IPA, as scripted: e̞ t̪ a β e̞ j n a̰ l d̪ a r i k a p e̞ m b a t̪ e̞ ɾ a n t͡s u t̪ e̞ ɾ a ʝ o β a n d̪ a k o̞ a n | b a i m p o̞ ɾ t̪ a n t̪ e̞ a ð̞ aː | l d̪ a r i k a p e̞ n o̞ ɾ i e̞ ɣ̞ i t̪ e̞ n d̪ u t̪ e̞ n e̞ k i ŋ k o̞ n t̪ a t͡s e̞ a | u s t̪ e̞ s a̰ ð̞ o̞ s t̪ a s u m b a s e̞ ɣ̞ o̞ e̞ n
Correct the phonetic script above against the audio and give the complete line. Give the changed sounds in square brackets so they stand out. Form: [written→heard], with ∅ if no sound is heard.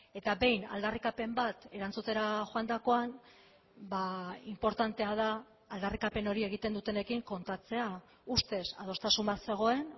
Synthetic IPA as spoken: e̞ t̪ a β e̞ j n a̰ l d̪ a r i k a p e̞ m b a t̪ e̞ ɾ a n t͡s u t̪ e̞ ɾ a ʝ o [β→∅] a n d̪ a k o̞ a n | b a i m p o̞ ɾ t̪ a n t̪ e̞ a ð̞ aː | l d̪ a r i k a p e̞ n o̞ ɾ i e̞ ɣ̞ i t̪ e̞ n d̪ u t̪ e̞ n e̞ k i ŋ k o̞ n t̪ a t͡s e̞ a | u s t̪ e̞ s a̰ ð̞ o̞ s t̪ a s u m b a s e̞ ɣ̞ o̞ e̞ n